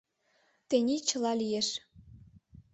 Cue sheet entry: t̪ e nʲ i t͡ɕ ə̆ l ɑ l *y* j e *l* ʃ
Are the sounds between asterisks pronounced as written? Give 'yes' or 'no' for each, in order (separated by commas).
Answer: no, no